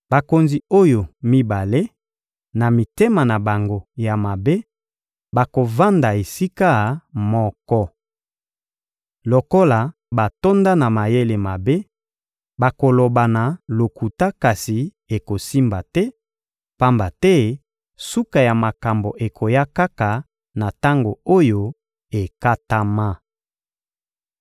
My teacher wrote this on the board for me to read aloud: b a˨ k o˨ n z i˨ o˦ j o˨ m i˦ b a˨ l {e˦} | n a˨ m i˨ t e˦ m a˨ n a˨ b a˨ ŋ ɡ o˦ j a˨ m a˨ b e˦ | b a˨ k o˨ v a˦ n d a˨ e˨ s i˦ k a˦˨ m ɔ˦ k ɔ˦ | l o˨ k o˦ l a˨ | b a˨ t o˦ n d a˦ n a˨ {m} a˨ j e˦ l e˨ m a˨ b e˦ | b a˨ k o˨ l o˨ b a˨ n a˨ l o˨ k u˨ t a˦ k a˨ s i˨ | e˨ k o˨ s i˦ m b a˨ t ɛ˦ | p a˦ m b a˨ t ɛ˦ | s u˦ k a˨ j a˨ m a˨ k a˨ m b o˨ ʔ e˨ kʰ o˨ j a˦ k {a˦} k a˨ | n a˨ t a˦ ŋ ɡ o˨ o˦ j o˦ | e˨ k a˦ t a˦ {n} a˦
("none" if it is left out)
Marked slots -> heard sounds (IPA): e˦, m, a˦, m

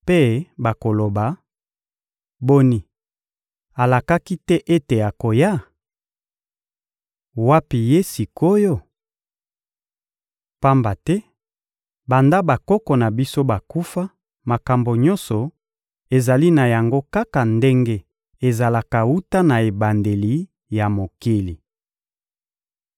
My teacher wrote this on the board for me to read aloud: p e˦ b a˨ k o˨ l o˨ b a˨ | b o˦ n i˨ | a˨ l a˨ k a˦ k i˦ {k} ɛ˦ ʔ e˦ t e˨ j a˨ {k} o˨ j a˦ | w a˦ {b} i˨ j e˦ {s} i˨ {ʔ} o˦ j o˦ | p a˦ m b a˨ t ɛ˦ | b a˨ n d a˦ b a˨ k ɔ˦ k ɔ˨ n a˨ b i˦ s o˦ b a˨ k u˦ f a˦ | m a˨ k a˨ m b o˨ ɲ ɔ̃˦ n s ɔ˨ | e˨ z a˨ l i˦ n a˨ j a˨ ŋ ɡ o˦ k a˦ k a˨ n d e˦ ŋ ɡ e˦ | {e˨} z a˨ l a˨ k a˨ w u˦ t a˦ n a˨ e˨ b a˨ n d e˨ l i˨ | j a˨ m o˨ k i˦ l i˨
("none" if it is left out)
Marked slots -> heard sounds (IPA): t, k, p, s, k, e˨

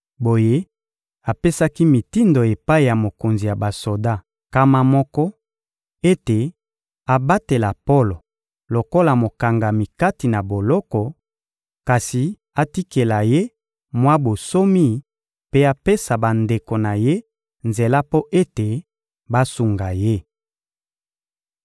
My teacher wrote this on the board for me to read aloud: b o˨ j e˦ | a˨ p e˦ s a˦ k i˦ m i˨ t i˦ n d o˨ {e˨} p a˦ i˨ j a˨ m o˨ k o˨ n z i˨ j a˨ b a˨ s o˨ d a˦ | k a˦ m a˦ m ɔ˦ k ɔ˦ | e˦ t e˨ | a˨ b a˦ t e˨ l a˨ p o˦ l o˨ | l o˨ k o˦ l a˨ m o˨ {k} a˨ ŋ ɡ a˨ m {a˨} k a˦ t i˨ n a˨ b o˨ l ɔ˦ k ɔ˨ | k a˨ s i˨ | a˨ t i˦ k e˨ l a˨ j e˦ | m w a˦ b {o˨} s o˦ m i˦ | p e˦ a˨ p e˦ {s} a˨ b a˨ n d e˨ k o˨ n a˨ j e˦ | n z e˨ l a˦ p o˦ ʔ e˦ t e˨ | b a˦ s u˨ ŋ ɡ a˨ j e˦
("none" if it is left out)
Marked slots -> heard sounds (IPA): e˨, k, i˨, o˨, s

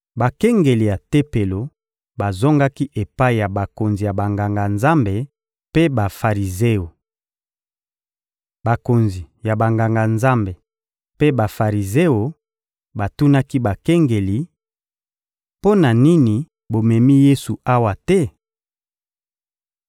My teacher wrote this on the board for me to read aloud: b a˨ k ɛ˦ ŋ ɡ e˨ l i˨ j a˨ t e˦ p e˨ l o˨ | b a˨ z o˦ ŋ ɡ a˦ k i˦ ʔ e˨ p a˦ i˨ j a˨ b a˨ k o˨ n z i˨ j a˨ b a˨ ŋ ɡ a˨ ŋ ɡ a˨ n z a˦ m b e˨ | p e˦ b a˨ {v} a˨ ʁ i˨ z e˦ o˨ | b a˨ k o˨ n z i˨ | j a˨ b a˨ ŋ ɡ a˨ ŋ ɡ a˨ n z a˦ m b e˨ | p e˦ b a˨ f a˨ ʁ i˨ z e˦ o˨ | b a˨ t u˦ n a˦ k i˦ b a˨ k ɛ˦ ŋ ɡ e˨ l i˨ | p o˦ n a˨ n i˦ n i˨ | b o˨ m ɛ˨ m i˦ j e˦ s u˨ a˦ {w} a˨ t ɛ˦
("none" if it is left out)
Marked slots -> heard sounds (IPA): f, w

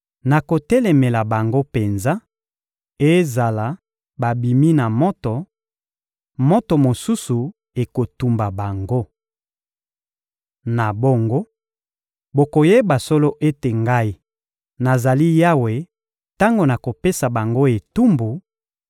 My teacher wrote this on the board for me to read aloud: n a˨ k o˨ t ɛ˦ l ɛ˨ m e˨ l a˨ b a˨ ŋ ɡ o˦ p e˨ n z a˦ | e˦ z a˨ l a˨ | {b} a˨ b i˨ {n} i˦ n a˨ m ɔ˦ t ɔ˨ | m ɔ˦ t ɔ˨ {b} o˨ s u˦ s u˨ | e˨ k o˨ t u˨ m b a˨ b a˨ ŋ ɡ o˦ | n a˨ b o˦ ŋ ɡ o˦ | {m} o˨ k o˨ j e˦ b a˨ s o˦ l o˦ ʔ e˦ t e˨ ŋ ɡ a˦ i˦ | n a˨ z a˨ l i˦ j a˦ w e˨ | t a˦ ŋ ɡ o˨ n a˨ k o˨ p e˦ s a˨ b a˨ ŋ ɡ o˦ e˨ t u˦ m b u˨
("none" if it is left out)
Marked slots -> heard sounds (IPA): b, m, m, b

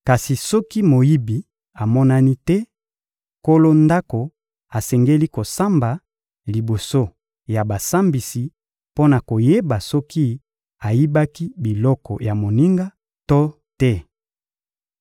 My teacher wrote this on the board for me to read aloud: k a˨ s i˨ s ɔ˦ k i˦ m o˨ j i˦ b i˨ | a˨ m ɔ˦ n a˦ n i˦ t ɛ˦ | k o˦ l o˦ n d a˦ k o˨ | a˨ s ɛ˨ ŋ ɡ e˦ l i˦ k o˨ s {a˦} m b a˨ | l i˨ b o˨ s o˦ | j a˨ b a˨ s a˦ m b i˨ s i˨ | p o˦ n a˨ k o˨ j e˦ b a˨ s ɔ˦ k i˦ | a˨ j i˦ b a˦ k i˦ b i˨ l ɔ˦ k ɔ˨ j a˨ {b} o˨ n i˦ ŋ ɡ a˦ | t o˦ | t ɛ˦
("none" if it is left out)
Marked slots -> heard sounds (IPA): a˦, m

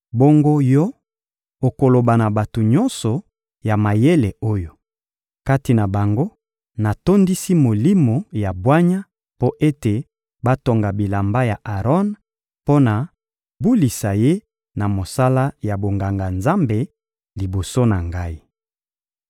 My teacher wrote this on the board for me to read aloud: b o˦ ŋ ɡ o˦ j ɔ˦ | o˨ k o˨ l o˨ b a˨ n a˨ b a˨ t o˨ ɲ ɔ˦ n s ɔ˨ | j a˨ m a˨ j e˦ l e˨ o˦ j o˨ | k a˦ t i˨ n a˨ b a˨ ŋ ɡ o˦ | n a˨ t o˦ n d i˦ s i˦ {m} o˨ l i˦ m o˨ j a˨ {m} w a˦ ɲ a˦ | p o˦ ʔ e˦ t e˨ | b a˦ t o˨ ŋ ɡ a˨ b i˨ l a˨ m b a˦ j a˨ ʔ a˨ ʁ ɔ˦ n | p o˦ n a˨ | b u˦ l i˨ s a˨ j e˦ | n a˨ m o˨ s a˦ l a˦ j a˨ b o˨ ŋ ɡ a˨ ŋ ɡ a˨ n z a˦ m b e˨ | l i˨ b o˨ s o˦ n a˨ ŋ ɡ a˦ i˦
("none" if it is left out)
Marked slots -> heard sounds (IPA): m, b

